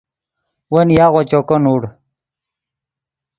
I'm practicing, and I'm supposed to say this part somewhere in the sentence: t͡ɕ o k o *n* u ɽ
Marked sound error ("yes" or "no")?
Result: no